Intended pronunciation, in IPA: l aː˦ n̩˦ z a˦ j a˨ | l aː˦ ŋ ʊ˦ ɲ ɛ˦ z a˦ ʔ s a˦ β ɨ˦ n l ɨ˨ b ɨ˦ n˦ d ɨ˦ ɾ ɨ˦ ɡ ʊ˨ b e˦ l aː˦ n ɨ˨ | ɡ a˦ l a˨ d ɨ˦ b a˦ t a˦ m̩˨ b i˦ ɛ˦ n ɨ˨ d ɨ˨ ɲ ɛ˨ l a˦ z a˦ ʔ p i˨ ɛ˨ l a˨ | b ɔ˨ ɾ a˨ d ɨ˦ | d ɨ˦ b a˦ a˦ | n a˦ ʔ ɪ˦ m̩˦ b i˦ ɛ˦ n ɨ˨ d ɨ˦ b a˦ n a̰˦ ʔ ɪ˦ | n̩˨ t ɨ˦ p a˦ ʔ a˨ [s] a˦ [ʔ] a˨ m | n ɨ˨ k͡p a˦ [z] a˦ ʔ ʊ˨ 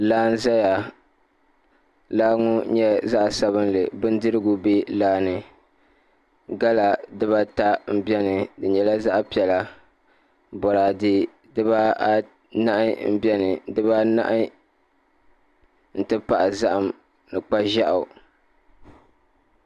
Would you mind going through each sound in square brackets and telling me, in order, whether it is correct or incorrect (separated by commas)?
incorrect, correct, incorrect